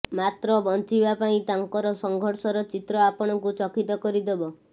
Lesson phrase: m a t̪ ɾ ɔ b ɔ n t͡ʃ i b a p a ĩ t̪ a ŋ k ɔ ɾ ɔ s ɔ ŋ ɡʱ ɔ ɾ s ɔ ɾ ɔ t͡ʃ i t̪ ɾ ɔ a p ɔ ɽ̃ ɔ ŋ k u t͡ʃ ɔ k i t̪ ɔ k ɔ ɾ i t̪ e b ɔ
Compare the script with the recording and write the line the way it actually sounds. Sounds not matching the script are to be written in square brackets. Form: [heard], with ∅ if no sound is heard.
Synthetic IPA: m a t̪ ɾ ɔ b ɔ n t͡ʃ i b a p a ĩ t̪ a ŋ k ɔ ɾ ɔ s ɔ ŋ ɡʱ ɔ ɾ s ɔ ɾ ɔ t͡ʃ i t̪ ɾ ɔ a p ɔ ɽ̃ ɔ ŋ k u t͡ʃ ɔ k i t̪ ɔ k ɔ ɾ i [d̪] e b ɔ